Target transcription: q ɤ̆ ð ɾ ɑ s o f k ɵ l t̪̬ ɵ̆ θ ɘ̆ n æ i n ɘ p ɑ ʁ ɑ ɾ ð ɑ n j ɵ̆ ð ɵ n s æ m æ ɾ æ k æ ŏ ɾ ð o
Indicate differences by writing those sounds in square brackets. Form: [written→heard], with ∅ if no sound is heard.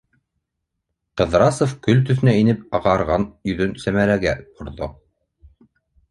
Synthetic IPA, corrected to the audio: q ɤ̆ ð ɾ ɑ s o f k ɵ l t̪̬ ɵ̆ θ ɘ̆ n æ i n ɘ p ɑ ʁ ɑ ɾ [ð→ʁ] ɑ n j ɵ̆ ð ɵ n s æ m æ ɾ æ [k→ɡ] æ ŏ ɾ ð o